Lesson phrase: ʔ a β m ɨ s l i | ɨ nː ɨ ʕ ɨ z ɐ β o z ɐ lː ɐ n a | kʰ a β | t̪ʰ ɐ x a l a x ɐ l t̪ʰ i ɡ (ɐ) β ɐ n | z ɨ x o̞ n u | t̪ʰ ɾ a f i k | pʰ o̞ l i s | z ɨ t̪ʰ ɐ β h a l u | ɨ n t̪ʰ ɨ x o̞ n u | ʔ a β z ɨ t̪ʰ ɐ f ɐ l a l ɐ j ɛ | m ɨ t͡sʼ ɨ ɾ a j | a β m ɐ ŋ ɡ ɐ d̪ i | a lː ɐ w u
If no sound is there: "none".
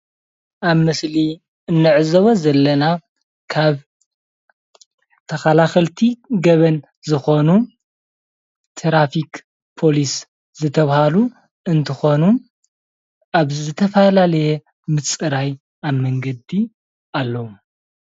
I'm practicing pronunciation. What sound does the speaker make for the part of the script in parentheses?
ɐ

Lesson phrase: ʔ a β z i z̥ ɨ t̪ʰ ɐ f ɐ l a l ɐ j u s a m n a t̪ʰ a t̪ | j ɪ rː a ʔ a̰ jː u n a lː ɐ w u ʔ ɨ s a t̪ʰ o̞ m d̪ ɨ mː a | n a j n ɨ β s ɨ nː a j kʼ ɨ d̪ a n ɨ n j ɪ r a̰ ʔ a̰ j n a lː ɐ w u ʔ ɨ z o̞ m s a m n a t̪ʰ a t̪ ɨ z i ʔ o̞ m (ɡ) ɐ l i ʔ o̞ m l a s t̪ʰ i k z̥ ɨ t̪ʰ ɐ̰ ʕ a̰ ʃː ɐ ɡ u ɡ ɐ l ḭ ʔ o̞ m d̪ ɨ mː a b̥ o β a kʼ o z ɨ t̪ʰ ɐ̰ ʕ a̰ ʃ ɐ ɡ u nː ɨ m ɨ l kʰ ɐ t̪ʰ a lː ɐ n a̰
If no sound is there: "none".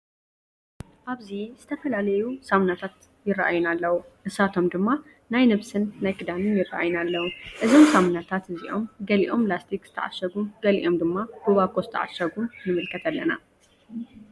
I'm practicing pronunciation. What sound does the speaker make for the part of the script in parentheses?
ɡ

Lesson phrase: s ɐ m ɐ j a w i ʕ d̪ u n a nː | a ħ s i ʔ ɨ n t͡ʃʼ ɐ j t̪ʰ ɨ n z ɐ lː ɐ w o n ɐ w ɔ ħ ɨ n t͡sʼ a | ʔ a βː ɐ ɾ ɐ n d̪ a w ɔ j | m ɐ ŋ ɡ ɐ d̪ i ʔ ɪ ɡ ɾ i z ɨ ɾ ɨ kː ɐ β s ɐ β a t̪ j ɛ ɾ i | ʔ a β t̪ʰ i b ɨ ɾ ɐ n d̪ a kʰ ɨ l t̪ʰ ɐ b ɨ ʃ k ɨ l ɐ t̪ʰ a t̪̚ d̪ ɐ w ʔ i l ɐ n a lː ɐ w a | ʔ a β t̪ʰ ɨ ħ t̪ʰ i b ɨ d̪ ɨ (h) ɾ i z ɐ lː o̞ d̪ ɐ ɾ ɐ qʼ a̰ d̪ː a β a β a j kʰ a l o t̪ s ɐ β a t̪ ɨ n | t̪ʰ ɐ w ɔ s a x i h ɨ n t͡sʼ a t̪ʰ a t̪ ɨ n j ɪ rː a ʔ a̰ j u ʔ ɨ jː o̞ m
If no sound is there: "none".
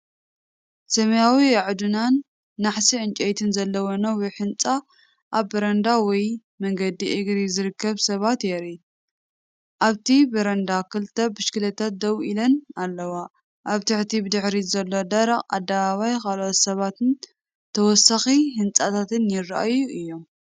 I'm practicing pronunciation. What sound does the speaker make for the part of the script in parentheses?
ħ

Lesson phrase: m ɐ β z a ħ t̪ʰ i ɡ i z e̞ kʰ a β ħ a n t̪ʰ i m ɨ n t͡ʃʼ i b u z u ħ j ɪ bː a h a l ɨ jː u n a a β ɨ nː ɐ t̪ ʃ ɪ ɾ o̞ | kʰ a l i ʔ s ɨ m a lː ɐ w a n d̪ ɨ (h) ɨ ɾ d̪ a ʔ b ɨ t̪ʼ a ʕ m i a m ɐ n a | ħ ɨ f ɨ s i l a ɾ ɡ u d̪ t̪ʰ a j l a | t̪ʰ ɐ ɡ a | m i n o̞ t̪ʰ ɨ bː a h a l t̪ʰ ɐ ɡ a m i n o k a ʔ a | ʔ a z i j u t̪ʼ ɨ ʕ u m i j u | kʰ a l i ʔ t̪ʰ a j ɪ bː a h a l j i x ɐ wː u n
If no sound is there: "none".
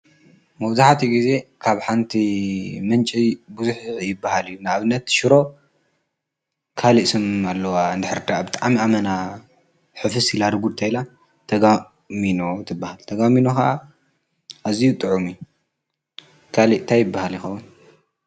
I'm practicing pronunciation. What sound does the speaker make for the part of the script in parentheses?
ħ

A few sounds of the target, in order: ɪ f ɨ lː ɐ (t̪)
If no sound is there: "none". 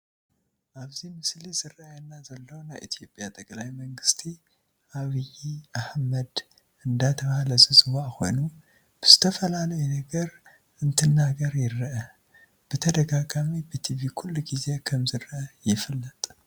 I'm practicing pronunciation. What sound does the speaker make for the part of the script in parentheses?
t̪ʼ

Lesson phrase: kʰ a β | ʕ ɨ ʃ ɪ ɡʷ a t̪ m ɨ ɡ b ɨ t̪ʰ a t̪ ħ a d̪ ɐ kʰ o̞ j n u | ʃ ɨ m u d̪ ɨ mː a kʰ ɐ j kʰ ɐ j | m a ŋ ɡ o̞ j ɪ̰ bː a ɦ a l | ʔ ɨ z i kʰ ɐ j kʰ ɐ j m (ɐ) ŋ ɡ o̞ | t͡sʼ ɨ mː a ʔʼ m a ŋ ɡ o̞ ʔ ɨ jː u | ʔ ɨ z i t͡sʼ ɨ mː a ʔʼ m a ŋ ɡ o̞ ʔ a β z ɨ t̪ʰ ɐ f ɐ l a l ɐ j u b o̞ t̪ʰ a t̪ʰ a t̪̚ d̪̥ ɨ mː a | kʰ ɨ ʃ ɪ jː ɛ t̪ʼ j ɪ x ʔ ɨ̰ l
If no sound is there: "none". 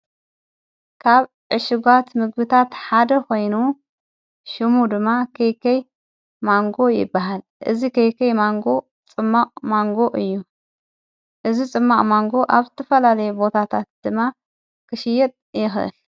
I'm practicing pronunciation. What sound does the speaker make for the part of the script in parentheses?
a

